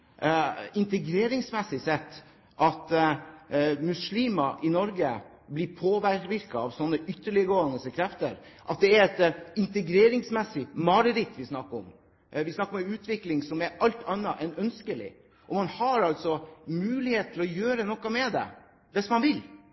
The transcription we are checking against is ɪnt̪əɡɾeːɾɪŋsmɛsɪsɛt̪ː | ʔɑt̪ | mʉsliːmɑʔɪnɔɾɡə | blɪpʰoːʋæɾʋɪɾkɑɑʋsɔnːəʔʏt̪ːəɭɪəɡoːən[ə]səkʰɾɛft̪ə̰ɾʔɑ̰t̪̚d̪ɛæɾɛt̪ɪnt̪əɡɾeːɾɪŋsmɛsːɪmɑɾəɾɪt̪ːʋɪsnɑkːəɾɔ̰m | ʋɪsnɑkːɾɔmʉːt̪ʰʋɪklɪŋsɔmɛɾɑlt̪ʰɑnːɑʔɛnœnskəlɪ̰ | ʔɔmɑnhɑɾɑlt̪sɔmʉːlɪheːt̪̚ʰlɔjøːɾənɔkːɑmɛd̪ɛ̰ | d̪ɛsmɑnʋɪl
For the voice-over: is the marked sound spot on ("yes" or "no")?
yes